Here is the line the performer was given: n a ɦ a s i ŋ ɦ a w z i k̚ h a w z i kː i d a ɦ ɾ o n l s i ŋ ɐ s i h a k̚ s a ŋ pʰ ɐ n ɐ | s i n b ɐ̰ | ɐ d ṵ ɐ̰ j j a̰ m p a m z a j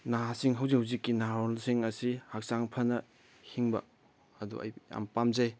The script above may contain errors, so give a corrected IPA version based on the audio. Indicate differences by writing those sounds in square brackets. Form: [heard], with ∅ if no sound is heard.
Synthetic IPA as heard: n a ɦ a s i ŋ ɦ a w z i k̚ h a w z i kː i [n] a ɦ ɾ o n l s i ŋ ɐ s i h a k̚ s a ŋ pʰ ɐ n ɐ | [h] i [ŋ] b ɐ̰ | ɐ d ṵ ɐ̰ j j a̰ m p a m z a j